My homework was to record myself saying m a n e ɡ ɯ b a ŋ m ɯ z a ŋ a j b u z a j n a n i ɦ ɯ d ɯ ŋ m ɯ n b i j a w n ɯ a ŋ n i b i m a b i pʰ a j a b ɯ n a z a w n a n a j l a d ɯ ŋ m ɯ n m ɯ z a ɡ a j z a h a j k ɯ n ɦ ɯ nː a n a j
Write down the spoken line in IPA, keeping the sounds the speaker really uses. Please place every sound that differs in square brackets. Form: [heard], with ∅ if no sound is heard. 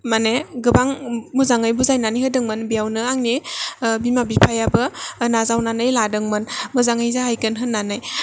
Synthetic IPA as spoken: m a n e ɡ ɯ b a ŋ m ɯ z a ŋ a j b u z a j n a n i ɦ ɯ d ɯ ŋ m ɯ n b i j a w n ɯ a ŋ n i b i m a b i pʰ a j a b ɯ n a z a w n a n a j l a d ɯ ŋ m ɯ n m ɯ z a [ŋ] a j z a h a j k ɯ n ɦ ɯ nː a n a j